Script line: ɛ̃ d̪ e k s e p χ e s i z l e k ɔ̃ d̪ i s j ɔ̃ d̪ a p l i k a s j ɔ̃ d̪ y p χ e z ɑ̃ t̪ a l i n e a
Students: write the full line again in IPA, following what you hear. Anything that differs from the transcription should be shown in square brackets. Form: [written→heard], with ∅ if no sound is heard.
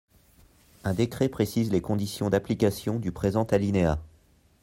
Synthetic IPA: ɛ̃ d̪ e k [s→χ] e p χ e s i z l e k ɔ̃ d̪ i s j ɔ̃ d̪ a p l i k a s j ɔ̃ d̪ y p χ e z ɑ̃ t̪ a l i n e a